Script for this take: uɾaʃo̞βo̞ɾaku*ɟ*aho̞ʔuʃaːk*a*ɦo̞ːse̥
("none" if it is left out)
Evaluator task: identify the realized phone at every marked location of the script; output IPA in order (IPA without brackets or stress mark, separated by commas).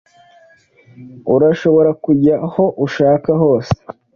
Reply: ɟ, a